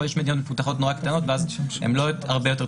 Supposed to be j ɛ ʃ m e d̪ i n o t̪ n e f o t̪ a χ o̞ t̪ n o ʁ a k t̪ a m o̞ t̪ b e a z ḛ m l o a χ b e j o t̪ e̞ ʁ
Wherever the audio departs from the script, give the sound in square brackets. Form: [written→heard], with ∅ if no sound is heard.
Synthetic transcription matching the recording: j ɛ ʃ m e d̪ i n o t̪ [n→m] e f [o→u] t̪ a χ o̞ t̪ n o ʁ a k t̪ a [m→n] o̞ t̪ [b→v] e a z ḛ m l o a [χ→ʁ] b e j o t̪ e̞ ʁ

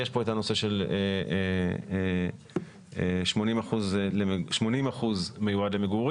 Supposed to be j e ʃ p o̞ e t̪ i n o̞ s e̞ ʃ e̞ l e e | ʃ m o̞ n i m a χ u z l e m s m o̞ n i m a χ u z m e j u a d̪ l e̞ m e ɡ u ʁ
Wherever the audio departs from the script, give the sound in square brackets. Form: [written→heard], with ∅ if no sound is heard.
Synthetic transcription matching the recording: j e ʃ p o̞ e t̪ [i→a] n o̞ s e̞ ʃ e̞ l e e | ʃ m o̞ n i m a χ u z l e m [s→ʃ] m o̞ n i m a χ u z m e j u a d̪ l e̞ m e ɡ u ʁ

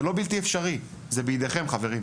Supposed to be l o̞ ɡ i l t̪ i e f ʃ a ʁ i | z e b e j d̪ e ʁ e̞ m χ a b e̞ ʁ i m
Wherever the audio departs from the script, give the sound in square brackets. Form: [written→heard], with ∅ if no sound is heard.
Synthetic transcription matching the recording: l o̞ [ɡ→b] i l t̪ i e f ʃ a ʁ i | z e b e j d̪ e [ʁ→χ] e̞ m χ a [b→v] e̞ ʁ i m

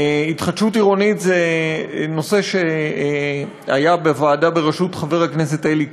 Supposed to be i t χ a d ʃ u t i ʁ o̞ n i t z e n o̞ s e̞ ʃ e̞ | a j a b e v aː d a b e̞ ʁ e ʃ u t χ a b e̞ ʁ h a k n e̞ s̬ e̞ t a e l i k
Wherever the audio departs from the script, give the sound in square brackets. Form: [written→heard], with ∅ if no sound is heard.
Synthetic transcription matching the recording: i t χ a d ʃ u t i ʁ o̞ n i t z e n o̞ s e̞ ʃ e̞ | a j a b e v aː d a b e̞ ʁ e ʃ u t χ a [b→v] e̞ ʁ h a k n e̞ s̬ e̞ t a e l i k

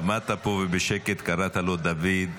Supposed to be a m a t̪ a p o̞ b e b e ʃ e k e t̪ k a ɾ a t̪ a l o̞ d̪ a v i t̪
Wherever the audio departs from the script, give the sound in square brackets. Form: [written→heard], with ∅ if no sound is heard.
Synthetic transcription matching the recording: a m a t̪ a p o̞ [b→v] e b e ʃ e k e t̪ k a ɾ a t̪ a l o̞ d̪ a v i [t̪→d̪]

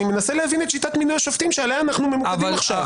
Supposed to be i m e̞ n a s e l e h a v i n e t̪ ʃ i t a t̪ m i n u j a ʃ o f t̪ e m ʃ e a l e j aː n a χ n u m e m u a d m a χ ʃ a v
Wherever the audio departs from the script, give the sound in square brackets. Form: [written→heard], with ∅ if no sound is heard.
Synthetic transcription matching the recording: i m e̞ n a s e l e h a v i n e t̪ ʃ i t a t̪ m i n u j a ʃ o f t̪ [e→i] m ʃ e a l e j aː n a χ n u m e m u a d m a χ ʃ a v

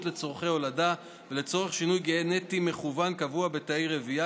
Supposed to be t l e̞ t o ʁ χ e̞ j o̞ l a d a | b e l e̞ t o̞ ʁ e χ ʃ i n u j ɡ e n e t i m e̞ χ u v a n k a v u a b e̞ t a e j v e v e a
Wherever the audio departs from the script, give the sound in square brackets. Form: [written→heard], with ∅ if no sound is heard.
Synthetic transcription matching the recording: t l e̞ [t→t͡s] o ʁ χ e̞ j o̞ l a d a | [b→v] e l e̞ [t→t͡s] o̞ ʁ e χ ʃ i n u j ɡ e n e t i m e̞ χ u v a n k a v u a b e̞ t a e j [v→ʁ] e v [e→i] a

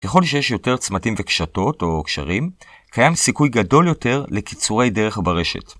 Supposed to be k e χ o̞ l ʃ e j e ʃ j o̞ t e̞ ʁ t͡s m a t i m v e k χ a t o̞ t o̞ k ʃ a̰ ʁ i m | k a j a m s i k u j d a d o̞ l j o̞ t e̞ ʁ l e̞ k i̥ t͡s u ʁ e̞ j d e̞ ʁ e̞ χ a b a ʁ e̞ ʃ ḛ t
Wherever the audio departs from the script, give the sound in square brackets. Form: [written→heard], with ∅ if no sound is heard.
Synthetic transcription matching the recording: k e χ o̞ l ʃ e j e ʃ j o̞ t e̞ ʁ t͡s m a t i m v e k [χ→ʃ] a t o̞ t o̞ k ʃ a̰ ʁ i m | k a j a m s i k u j [d→ɡ] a d o̞ l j o̞ t e̞ ʁ l e̞ k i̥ t͡s u ʁ e̞ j d e̞ ʁ e̞ χ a b a ʁ e̞ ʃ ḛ t

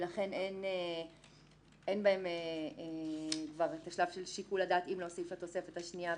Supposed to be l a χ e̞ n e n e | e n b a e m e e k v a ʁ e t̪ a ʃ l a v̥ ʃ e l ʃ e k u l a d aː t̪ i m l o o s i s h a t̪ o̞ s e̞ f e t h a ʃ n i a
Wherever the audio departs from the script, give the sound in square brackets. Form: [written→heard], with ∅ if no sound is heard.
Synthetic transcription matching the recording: l a χ e̞ n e n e | e n b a e m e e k v a ʁ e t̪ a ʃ l a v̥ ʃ e l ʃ [e→i] k u l a d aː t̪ i m l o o s i [s→f] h a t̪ o̞ s e̞ f e t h a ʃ n i a

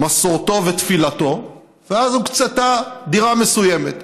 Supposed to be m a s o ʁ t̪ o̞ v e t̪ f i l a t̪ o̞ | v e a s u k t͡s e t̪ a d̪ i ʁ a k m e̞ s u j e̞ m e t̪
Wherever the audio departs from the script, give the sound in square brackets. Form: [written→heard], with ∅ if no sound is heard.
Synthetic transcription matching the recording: m a s o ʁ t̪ o̞ v e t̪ f i l a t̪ o̞ | v e a [s→z] u k t͡s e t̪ a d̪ i ʁ a [k→∅] m e̞ s u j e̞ m e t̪

